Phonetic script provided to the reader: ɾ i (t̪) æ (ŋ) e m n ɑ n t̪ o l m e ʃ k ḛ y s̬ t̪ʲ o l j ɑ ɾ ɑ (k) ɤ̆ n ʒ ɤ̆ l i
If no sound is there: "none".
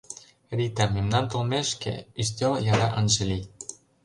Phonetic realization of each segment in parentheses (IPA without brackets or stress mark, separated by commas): t̪, m, ʔ